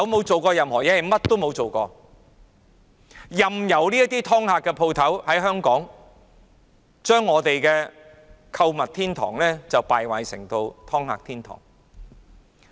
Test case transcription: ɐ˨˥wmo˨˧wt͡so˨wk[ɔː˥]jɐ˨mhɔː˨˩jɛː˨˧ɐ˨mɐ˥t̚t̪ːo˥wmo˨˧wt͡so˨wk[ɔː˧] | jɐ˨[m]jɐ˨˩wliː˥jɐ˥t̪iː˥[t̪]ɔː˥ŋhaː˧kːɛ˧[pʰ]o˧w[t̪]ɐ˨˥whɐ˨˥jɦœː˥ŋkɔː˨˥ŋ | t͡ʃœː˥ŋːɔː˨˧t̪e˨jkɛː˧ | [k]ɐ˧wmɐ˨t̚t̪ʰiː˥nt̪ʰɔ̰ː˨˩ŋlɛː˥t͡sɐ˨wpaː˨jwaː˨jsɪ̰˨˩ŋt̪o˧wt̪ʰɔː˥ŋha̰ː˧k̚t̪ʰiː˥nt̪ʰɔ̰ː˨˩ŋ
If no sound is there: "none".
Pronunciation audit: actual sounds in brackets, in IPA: ɔː˧, ɔː˧, m, t̪ʰ, pʰ, t̪ʰ, kʰ

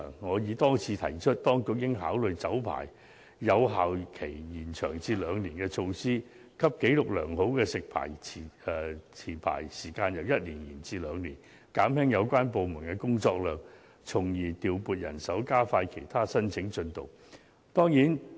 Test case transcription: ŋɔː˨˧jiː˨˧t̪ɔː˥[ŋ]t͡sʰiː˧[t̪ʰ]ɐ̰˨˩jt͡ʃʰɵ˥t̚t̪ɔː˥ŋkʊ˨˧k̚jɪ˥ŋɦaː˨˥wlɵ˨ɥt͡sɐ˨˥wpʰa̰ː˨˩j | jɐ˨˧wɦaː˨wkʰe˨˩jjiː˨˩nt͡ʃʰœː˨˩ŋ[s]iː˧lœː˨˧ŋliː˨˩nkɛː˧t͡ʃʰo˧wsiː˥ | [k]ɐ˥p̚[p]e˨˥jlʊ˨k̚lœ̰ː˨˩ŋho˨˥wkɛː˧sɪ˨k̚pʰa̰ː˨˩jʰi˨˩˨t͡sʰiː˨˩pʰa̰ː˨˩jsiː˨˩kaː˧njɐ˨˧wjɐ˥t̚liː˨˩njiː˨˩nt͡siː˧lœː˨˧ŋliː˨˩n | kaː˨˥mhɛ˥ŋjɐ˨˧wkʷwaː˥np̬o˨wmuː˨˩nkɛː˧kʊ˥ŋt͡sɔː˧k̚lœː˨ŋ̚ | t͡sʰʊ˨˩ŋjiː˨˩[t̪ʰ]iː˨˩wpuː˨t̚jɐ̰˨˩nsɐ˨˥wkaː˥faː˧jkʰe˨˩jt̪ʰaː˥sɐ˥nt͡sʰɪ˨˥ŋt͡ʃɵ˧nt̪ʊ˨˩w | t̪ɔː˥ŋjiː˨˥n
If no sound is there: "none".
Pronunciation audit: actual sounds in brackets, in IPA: ŋ, t̪ʰ, t͡s, kʰ, k, t̪

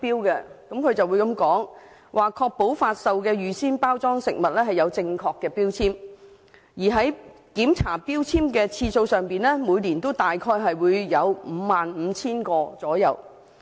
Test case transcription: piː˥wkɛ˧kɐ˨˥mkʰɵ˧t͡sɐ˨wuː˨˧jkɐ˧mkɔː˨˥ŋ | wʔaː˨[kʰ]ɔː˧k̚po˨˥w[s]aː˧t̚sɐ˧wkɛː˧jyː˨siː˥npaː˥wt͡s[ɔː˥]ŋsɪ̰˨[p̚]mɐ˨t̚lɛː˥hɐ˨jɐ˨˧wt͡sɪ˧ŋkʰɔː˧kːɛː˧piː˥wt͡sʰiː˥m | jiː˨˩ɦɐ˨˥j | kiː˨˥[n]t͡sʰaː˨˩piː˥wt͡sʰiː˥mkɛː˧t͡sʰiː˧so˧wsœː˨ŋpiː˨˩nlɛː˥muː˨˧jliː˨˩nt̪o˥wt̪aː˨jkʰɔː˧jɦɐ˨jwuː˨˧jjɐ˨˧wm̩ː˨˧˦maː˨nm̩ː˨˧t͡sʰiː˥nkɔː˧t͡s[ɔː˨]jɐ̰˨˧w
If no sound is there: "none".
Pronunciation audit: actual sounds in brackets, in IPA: kʰ, f, ɔː˥, k̚, m, ɔː˨˥

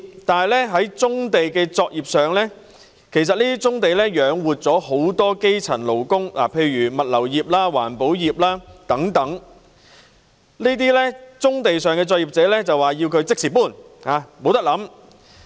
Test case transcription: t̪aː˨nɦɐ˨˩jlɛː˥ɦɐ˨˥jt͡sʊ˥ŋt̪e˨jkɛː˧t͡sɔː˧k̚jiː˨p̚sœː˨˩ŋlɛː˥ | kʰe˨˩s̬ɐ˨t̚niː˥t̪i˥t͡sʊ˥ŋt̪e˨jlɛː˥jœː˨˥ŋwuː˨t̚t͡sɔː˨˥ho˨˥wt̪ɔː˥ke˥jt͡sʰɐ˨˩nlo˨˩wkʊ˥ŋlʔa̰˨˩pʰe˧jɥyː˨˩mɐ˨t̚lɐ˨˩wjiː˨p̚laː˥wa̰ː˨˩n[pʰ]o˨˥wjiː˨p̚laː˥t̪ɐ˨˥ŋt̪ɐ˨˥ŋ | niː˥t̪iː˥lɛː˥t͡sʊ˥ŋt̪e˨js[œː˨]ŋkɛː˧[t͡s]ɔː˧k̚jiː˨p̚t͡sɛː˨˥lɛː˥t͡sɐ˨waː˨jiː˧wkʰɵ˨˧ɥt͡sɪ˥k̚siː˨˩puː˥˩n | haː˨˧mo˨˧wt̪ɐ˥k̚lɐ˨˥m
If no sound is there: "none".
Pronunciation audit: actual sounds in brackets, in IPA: p, œː˨, t͡s

